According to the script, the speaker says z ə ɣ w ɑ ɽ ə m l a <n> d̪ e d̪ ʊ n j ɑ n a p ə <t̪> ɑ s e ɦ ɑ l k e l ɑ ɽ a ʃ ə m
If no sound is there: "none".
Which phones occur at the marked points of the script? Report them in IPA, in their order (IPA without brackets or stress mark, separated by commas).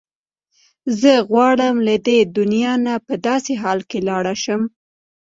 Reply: none, d̪